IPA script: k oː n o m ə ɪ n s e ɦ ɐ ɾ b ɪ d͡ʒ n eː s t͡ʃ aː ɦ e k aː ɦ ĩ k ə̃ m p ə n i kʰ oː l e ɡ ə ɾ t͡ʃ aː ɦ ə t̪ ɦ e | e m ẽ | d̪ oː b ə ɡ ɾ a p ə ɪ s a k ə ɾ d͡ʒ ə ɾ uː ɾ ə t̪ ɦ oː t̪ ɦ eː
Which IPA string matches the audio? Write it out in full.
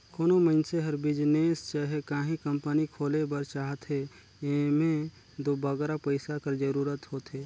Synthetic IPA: k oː n o m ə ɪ n s e ɦ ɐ ɾ b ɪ d͡ʒ n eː s t͡ʃ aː ɦ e k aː ɦ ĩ k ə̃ m p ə n i kʰ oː l e b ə ɾ t͡ʃ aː ɦ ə t̪ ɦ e | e m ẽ | d̪ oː b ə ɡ ɾ a p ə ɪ s a k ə ɾ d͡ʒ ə ɾ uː ɾ ə t̪ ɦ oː t̪ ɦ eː